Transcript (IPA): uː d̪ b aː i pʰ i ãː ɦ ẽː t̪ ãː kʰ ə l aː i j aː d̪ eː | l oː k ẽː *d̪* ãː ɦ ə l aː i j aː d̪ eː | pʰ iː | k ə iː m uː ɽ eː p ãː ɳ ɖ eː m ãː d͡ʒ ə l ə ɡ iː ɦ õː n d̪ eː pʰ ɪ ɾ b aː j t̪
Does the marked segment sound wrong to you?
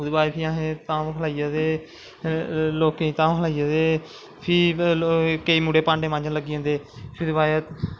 yes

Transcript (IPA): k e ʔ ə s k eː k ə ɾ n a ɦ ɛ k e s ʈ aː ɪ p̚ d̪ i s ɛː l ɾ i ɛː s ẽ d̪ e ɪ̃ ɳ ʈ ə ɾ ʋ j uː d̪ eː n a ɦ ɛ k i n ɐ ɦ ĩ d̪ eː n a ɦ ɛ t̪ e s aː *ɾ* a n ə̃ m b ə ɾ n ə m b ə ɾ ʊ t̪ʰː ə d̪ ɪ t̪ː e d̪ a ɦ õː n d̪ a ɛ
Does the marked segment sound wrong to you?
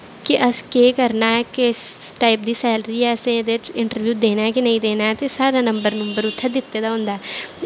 no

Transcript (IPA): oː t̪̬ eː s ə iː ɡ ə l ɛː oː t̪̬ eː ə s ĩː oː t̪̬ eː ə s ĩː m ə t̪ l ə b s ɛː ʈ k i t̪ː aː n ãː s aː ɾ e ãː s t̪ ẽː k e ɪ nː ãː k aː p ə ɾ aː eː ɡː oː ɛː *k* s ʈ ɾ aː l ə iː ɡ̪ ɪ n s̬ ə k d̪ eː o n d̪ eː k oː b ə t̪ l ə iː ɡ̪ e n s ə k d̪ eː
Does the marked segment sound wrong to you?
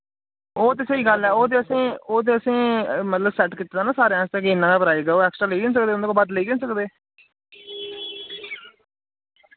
no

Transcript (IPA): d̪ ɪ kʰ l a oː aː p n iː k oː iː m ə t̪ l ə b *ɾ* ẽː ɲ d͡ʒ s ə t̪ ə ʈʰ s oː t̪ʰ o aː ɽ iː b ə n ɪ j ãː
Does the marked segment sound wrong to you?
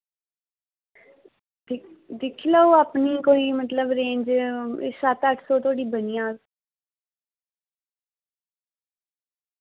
no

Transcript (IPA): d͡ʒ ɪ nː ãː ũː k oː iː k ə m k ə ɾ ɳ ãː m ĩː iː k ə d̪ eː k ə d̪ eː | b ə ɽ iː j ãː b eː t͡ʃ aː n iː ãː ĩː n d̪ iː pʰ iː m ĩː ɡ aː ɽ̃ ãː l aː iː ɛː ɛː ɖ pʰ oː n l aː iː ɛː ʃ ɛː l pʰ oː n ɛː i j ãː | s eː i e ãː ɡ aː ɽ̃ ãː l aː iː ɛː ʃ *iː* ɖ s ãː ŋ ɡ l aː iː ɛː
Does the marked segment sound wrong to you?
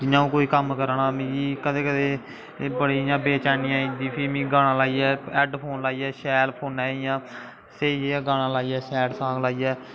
yes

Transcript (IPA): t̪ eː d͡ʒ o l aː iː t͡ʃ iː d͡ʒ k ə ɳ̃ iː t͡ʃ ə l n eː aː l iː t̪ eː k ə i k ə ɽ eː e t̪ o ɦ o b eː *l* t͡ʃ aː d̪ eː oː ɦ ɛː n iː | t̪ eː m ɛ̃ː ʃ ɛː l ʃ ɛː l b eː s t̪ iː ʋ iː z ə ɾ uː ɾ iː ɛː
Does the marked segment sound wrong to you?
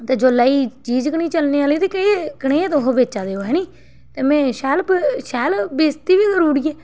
yes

